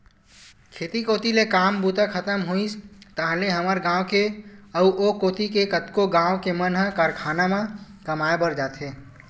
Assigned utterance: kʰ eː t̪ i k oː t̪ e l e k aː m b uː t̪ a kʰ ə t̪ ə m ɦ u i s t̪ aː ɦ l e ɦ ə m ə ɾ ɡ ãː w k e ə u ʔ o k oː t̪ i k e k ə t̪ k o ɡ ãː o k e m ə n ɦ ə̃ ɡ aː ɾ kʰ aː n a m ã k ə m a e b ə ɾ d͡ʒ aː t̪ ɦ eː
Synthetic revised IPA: kʰ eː t̪ i k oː t̪ i l e k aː m b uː t̪ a kʰ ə t̪ ə m ɦ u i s t̪ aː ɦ l e ɦ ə m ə ɾ ɡ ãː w k e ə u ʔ o k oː t̪ i k e k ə t̪ k o ɡ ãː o k e m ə n ɦ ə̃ k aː ɾ kʰ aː n a m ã k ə m a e b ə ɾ d͡ʒ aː t̪ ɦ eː